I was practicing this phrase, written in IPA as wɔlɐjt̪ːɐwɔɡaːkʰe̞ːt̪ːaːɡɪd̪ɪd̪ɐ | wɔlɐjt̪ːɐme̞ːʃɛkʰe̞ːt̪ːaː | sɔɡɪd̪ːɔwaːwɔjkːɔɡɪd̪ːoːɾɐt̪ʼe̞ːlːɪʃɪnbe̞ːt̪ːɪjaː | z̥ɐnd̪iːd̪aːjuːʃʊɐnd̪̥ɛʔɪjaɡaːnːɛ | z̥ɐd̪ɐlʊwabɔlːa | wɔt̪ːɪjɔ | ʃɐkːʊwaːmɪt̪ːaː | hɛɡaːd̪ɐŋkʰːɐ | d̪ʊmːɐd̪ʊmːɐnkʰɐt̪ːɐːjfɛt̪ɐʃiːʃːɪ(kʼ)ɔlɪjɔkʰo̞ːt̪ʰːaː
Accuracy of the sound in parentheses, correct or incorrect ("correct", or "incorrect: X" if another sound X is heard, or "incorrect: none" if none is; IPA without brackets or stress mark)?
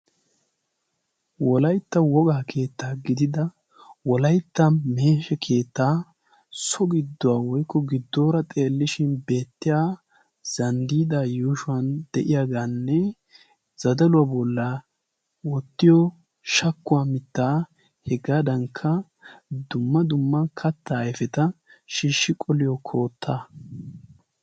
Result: correct